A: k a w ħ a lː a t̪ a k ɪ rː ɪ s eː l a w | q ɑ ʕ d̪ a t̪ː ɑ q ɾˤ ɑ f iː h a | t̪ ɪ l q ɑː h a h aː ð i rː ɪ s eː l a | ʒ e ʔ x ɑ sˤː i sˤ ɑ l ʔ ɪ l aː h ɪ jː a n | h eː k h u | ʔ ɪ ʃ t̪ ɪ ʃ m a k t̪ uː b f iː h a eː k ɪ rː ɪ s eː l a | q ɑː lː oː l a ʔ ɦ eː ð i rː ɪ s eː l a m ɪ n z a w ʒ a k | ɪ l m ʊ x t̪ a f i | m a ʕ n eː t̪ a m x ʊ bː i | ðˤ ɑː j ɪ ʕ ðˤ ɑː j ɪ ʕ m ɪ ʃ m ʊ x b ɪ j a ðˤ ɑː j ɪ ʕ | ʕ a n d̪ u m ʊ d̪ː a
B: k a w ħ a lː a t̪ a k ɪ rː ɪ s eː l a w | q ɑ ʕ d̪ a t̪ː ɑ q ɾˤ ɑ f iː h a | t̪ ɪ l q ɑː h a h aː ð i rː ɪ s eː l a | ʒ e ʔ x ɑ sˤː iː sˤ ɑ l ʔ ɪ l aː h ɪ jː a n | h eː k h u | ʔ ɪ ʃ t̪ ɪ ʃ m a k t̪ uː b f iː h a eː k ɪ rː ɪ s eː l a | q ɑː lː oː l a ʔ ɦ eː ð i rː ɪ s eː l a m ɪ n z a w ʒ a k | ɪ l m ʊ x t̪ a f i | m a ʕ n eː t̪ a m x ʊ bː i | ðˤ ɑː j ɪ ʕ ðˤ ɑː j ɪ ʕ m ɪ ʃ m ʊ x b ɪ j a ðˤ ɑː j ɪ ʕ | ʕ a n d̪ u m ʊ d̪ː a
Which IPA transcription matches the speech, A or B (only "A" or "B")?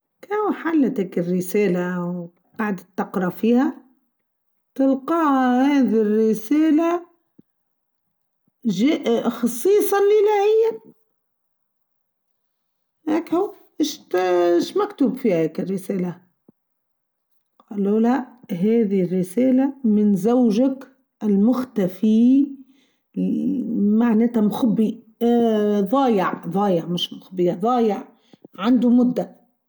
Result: B